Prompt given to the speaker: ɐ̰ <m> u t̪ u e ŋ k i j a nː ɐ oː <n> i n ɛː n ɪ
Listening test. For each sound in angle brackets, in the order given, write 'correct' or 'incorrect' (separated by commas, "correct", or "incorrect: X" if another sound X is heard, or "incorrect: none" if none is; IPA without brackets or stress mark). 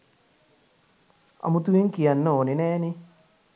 correct, correct